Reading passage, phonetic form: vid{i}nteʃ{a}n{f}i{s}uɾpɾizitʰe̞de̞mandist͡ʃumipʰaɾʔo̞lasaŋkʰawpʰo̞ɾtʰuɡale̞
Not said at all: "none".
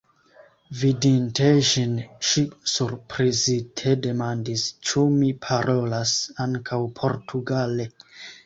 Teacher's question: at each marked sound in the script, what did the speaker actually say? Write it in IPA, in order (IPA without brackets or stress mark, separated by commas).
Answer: i, i, ʃ, s